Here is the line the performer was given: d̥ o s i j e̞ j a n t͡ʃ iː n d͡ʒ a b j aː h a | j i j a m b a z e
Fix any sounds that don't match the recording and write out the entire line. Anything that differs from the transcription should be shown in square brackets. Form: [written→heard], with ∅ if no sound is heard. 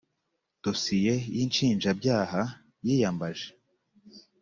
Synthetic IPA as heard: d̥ o s i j e̞ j [a→i] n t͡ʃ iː n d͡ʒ a b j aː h a | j i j a m b a [z→ʒ] e